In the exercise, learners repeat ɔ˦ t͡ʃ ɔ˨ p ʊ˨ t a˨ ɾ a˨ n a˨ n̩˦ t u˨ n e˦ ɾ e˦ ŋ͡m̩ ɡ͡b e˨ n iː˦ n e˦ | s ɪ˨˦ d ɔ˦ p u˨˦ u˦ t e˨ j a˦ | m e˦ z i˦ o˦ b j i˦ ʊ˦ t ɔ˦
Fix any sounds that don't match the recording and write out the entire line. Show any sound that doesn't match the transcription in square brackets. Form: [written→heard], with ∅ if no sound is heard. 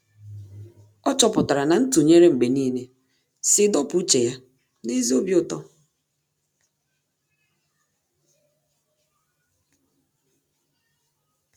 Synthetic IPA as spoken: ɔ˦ t͡ʃ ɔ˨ p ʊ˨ t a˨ ɾ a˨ n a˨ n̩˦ t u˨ [n→ɲ] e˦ ɾ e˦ ŋ͡m̩ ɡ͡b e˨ n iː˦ n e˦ | s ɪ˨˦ d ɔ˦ p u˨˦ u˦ [t→t͡ʃ] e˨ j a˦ | [m→n] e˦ z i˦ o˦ b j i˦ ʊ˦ t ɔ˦

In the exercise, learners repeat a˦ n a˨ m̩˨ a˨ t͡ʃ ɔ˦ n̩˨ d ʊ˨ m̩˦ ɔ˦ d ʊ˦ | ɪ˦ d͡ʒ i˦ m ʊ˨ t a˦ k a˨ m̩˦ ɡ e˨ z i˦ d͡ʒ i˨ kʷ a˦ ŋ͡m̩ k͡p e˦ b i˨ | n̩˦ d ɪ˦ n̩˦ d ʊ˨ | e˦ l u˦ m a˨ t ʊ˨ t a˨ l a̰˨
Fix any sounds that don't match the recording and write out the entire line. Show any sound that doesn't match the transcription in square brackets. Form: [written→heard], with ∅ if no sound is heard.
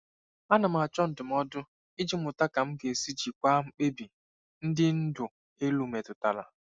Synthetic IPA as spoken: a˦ n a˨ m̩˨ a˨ t͡ʃ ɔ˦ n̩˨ d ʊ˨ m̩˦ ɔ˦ d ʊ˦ | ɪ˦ d͡ʒ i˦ m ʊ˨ t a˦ k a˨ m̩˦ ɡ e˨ [z→s] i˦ d͡ʒ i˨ kʷ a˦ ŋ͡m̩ k͡p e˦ b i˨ | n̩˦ d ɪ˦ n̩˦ d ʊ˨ | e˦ l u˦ m [a˨→e˨] t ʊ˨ t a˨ l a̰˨

